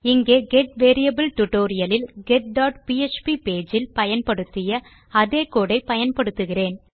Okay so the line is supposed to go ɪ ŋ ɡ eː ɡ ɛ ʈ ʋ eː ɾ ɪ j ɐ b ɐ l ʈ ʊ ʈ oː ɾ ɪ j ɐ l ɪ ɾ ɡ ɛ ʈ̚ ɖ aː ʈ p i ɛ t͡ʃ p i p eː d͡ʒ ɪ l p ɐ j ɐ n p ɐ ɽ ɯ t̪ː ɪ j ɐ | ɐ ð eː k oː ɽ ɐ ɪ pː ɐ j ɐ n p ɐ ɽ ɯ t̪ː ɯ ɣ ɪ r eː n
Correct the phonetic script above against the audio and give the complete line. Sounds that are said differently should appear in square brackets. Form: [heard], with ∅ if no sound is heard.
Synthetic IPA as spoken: ɪ ŋ ɡ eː ɡ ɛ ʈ ʋ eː ɾ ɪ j ɐ b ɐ l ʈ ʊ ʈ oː ɾ ɪ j ɐ l ɪ [l] ɡ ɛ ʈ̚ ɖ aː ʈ p i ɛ t͡ʃ p i p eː d͡ʒ ɪ l p ɐ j ɐ n p ɐ ɽ ɯ t̪ː ɪ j ɐ | ɐ ð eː k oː ɽ ɐ ɪ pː ɐ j ɐ n p ɐ ɽ ɯ t̪ː ɯ ɣ ɪ r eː n